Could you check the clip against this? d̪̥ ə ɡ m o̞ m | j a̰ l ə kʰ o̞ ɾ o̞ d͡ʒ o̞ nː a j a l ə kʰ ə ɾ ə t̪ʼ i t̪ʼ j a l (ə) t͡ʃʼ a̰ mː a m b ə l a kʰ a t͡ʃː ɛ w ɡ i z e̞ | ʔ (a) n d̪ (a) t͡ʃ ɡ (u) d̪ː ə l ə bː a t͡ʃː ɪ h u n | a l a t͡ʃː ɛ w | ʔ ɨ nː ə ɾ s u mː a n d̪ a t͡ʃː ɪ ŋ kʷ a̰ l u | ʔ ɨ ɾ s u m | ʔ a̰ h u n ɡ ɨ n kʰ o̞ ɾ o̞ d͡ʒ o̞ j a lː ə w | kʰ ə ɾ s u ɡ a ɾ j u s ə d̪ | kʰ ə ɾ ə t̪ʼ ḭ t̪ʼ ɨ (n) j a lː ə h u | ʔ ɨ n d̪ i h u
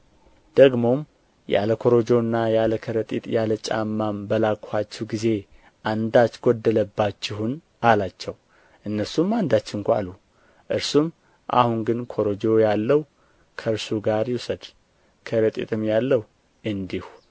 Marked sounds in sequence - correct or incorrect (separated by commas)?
correct, correct, correct, incorrect, incorrect